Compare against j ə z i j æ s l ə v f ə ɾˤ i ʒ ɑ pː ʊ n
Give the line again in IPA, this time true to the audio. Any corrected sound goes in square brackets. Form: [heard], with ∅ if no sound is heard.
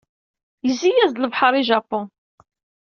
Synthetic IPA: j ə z i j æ [z] l ə v [ħ] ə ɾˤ i ʒ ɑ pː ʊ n